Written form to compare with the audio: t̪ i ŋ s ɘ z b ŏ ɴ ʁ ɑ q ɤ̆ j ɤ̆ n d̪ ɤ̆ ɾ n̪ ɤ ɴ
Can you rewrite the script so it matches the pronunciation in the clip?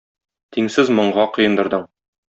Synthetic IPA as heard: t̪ i ŋ s ɘ z m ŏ ɴ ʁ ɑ q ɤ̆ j ɤ̆ n d̪ ɤ̆ ɾ d̪ ɤ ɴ